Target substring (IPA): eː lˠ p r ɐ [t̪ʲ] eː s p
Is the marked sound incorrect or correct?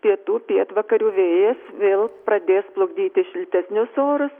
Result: incorrect